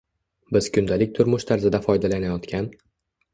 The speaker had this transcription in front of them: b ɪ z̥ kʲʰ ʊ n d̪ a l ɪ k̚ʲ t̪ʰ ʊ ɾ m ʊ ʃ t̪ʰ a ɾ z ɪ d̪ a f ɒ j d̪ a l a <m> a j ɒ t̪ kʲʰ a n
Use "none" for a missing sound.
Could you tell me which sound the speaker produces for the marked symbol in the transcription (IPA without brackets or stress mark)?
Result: n